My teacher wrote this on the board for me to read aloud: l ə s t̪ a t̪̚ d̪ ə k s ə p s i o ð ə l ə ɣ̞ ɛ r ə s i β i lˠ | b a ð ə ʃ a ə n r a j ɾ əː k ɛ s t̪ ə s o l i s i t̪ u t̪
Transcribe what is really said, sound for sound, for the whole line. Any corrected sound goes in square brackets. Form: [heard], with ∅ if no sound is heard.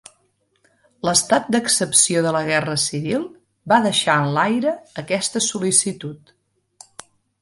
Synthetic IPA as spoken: l ə s t̪ a t̪̚ d̪ ə k s ə p s i o ð ə l ə ɣ̞ ɛ r ə s i β i lˠ | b a ð ə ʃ a ə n [l] a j ɾ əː k ɛ s t̪ ə s [u] l i s i t̪ u t̪